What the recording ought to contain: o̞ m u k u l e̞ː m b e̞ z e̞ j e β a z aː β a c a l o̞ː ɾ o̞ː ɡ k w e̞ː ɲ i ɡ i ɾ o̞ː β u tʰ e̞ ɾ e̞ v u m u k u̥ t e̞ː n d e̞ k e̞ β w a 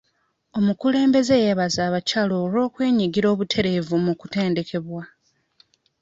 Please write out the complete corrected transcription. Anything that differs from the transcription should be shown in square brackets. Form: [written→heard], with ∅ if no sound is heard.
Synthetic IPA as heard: o̞ m u k u l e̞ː m b e̞ z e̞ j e β a z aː β a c a l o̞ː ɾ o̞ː [ɡ→∅] k w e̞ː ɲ i ɡ i ɾ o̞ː β u tʰ e̞ ɾ e̞ v u m u k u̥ t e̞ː n d e̞ k e̞ β w a